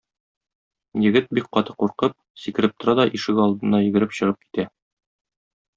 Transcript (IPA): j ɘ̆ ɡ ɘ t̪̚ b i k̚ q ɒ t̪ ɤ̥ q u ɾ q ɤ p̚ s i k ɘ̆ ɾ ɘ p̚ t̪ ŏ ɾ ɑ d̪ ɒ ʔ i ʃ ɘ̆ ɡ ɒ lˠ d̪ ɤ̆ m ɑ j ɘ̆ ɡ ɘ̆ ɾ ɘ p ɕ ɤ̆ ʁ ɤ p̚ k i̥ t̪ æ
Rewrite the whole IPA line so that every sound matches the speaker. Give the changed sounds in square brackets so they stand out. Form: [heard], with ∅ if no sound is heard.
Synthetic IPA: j ɘ̆ ɡ ɘ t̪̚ b i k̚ q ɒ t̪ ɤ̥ q u ɾ q ɤ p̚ s i k ɘ̆ ɾ ɘ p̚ t̪ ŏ ɾ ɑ d̪ ɒ ʔ i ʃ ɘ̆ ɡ ɒ lˠ d̪ ɤ̆ [n] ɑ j ɘ̆ ɡ ɘ̆ ɾ ɘ p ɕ ɤ̆ ʁ ɤ p̚ k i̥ t̪ æ